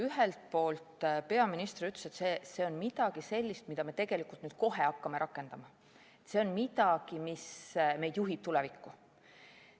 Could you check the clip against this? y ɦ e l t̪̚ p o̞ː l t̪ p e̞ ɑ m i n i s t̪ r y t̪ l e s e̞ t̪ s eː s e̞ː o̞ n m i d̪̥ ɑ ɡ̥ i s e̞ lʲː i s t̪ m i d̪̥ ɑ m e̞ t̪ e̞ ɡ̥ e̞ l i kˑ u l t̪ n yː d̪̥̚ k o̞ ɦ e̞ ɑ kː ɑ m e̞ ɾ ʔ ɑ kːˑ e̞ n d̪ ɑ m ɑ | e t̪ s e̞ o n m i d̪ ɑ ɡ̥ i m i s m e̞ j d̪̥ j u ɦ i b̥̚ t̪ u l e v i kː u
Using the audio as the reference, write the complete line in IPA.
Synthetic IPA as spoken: y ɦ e l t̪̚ p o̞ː l t̪ p e̞ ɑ m i n i s t̪ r y t̪ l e s e̞ t̪ s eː s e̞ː o̞ n m i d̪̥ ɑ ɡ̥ i s e̞ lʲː i s t̪ m i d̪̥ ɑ m e̞ t̪ e̞ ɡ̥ e̞ l i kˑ u l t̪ n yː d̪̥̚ k o̞ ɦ e̞ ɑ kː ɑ m e̞ ɾ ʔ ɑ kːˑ e̞ n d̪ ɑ m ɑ | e t̪ s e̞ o n m i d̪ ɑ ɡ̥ i m i s m e̞ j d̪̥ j u ɦ i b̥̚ t̪ u l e v i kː u